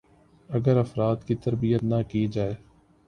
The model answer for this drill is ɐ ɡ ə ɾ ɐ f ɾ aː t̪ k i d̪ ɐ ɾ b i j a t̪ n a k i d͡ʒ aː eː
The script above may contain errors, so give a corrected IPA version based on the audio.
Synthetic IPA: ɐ ɡ ə ɾ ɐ f ɾ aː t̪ k i t̪ ɐ ɾ b i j ə t̪ n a k i d͡ʒ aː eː